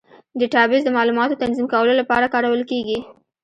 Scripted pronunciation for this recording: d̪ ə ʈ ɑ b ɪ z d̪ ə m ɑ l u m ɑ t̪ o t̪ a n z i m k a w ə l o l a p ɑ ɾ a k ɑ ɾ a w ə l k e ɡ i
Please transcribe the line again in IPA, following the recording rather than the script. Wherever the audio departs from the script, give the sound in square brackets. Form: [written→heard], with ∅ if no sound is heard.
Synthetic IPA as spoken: d̪ ə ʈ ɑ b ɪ z d̪ ə m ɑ l u m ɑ t̪ o t̪ a n z i m k a w ə l o l a p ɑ ɾ a k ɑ ɾ a w ə l k e ɡ i